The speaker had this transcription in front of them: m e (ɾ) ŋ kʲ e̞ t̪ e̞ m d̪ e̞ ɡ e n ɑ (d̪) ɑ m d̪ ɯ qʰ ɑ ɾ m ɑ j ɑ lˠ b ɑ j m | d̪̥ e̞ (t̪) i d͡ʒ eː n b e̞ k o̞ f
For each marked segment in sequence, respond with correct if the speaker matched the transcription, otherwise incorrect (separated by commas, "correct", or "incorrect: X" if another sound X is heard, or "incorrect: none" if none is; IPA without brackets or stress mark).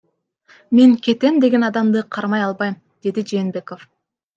incorrect: none, correct, incorrect: d̪